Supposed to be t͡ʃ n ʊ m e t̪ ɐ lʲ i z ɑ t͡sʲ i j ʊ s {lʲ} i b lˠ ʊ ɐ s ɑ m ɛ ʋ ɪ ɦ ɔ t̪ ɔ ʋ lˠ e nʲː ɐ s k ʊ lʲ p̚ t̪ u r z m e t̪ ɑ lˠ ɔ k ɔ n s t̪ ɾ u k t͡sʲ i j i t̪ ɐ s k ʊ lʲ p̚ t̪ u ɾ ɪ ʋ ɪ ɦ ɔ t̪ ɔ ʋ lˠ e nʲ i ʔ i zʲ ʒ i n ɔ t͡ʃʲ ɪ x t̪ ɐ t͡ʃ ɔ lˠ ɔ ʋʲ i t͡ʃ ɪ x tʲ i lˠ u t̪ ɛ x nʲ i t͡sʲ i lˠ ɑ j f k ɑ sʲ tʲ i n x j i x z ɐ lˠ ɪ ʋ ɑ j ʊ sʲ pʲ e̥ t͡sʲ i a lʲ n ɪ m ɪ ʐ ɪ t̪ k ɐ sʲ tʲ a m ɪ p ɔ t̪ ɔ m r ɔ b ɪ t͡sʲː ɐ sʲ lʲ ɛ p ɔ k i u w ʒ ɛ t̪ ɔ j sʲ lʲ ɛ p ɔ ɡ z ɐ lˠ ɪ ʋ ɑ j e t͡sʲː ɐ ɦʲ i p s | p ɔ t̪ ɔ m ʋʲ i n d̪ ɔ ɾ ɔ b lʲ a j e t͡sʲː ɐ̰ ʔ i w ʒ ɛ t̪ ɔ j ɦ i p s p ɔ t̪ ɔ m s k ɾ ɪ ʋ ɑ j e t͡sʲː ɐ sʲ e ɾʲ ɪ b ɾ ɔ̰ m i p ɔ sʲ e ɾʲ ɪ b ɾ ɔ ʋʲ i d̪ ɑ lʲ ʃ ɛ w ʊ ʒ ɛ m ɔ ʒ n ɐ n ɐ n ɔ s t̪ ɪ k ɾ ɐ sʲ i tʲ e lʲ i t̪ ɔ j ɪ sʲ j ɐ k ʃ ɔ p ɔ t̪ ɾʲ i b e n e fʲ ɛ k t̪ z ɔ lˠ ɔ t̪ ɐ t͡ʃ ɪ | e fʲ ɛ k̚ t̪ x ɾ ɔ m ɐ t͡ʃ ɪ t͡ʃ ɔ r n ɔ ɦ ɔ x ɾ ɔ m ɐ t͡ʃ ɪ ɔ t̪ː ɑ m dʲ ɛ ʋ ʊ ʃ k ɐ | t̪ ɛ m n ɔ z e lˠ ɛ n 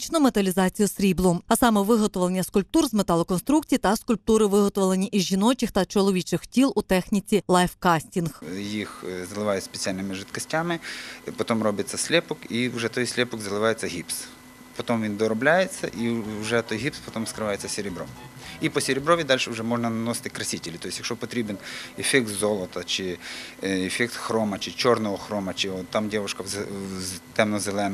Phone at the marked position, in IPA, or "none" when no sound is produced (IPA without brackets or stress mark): ɾʲ